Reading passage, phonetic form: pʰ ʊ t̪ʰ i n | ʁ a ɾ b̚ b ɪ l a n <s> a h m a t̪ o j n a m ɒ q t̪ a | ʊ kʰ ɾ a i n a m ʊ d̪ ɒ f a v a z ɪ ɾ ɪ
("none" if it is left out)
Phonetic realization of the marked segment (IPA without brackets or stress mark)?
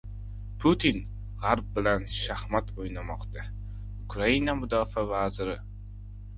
ʃ